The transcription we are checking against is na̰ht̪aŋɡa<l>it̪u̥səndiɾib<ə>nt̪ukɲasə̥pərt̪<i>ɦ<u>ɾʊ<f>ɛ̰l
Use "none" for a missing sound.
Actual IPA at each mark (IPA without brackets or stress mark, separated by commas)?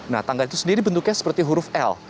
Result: l, ə, i, u, f